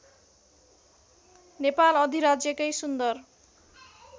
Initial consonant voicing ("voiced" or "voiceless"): voiced